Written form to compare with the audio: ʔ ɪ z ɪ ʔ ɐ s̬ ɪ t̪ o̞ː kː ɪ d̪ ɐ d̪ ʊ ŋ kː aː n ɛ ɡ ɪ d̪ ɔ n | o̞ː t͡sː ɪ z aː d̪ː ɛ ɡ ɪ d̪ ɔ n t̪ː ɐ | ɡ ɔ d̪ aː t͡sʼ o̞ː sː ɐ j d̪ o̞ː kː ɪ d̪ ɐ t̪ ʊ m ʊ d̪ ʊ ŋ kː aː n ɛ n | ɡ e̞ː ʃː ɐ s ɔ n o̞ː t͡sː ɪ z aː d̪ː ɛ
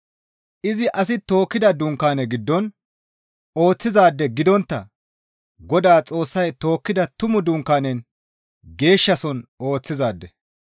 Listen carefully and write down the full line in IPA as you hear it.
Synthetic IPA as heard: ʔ ɪ z ɪ ʔ ɐ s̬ ɪ t̪ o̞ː kː ɪ d̪ ɐ d̪ ʊ ŋ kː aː n ɛ ɡ ɪ d̪ː ɔ n | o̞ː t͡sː ɪ z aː d̪ː ɛ ɡ ɪ d̪ ɔ n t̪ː ɐ | ɡ ɔ d̪ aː t͡sʼ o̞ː sː ɐ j t̪ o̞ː kː ɪ d̪ ɐ t̪ ʊ m ʊ d̪ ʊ ŋ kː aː n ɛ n | ɡ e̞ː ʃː ɐ s ɔ n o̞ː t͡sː ɪ z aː d̪ː ɛ